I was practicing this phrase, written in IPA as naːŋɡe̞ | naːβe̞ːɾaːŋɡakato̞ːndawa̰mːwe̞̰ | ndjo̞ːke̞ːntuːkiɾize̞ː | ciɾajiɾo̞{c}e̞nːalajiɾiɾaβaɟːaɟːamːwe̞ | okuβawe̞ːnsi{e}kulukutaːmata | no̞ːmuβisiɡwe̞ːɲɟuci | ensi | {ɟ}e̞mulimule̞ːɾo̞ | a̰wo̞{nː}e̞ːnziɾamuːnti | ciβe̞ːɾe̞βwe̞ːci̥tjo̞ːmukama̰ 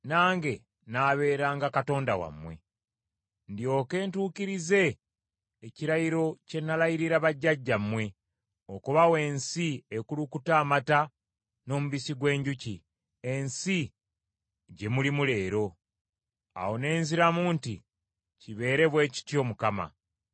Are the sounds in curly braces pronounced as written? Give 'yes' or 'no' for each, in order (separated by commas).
yes, yes, yes, no